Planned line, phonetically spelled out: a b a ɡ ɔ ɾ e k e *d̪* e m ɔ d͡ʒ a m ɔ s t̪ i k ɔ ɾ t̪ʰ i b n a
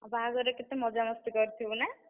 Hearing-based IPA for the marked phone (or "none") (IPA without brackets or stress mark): t̪